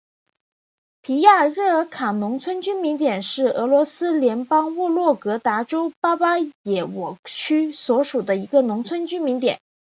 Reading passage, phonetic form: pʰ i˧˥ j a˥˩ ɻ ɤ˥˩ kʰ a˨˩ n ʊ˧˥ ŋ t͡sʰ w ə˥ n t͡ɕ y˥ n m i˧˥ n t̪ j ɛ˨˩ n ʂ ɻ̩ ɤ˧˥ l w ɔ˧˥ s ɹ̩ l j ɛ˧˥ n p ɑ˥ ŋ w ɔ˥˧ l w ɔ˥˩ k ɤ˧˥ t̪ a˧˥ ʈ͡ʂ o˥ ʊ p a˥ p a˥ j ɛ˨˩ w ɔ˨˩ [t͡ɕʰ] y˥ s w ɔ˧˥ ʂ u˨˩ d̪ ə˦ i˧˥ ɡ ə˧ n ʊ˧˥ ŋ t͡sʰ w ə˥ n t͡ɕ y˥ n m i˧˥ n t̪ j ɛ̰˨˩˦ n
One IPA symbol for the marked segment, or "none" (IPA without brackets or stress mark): t͡ɕʰ